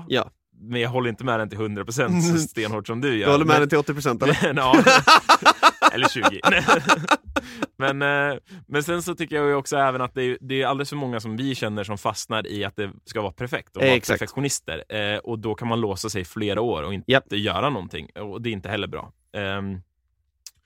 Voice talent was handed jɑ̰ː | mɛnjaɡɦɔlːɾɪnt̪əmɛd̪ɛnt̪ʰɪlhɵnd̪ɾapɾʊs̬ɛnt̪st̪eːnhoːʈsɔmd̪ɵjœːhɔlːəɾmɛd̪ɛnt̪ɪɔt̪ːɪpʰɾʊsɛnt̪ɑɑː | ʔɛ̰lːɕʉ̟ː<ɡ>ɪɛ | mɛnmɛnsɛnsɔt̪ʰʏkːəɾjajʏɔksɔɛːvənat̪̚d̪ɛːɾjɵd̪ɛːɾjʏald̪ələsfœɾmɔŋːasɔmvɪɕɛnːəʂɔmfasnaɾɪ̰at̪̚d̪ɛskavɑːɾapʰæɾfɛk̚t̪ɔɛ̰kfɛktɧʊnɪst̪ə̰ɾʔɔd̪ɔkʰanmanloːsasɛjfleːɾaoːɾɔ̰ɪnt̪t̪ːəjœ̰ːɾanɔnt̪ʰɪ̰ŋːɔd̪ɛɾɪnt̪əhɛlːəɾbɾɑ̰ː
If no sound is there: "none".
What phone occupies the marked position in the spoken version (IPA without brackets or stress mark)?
ɡ